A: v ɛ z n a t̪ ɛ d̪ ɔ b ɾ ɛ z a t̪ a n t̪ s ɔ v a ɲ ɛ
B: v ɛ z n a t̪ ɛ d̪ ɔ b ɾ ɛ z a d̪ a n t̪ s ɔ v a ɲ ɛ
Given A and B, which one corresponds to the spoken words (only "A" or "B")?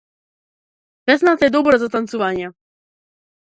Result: A